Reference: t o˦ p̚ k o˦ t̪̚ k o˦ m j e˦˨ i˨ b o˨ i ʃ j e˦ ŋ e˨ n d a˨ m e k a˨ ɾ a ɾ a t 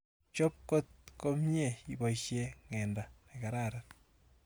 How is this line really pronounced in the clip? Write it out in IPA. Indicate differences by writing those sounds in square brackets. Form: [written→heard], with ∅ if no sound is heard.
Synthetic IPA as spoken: [t→t͡ʃ] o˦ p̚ k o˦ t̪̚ k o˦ m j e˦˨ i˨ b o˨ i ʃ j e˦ ŋ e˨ n d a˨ [m→n] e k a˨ ɾ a ɾ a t